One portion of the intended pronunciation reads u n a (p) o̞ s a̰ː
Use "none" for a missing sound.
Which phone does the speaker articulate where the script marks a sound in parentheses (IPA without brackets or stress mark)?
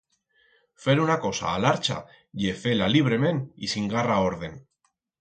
k